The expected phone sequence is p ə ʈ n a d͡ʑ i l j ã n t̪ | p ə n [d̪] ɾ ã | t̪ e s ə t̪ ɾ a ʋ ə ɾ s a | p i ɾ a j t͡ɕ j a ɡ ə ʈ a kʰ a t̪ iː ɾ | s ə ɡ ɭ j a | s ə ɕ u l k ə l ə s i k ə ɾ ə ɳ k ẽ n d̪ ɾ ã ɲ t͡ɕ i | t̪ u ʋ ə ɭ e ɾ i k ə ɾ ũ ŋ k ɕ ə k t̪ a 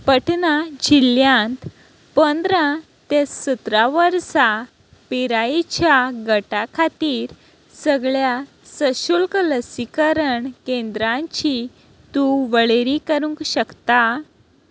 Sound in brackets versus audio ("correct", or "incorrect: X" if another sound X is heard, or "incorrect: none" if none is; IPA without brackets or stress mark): correct